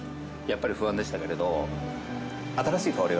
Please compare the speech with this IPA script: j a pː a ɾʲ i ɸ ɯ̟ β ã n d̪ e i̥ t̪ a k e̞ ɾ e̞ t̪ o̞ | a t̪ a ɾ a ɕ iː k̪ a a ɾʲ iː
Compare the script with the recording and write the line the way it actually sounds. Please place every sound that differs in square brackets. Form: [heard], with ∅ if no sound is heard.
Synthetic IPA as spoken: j a pː a ɾʲ i ɸ ɯ̟ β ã n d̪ e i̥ t̪ a k e̞ ɾ e̞ [d̪] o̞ | a t̪ a ɾ a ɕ iː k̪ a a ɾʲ [i]